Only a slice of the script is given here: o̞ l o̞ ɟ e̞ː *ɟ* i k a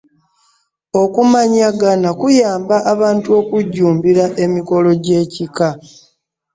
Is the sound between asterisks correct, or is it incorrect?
incorrect